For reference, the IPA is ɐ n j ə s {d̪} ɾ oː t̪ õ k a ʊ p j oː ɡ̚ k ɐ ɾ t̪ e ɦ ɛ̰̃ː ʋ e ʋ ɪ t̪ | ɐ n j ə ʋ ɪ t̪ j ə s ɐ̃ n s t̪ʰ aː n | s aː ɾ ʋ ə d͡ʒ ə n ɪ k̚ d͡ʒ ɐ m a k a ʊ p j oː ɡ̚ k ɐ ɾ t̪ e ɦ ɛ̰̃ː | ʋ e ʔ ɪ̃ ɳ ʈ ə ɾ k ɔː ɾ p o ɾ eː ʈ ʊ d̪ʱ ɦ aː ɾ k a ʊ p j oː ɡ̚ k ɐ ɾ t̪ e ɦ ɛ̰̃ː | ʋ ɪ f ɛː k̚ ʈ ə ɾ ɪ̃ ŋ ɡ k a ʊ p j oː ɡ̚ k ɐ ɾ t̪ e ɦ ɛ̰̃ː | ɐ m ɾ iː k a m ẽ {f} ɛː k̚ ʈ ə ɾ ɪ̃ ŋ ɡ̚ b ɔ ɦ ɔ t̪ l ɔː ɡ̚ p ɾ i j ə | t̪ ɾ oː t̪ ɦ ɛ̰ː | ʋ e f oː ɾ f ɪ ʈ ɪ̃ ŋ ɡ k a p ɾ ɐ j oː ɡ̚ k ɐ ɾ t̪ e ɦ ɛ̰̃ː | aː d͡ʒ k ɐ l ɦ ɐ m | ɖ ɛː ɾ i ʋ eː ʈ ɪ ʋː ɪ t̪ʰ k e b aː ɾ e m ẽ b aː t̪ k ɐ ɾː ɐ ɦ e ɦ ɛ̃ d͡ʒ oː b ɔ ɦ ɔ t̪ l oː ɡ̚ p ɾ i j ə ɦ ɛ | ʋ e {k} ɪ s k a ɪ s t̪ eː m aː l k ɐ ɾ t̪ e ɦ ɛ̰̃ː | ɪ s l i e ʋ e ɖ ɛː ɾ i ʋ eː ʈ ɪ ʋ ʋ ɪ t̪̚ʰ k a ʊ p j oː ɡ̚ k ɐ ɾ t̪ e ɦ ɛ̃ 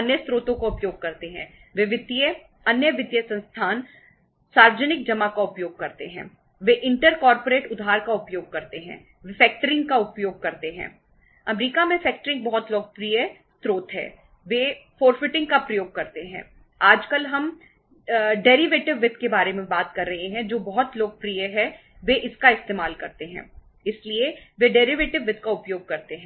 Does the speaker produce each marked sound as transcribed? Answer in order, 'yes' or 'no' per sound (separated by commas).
no, yes, no